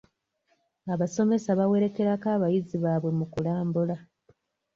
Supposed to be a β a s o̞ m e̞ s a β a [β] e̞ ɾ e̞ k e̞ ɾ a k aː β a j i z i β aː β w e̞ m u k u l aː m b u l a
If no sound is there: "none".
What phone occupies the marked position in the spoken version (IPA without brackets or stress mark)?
w